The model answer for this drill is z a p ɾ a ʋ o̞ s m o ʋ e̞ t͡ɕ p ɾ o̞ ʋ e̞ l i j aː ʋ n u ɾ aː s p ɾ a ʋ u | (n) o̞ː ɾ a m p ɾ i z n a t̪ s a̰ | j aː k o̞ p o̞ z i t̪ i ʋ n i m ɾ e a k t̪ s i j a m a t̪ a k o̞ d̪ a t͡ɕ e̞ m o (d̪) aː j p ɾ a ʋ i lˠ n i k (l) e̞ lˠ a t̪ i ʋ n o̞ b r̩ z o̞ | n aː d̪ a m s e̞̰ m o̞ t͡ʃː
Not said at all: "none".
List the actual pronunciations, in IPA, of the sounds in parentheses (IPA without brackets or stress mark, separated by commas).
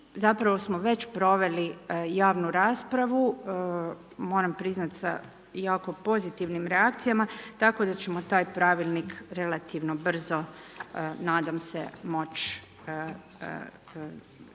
m, t̪, ɾ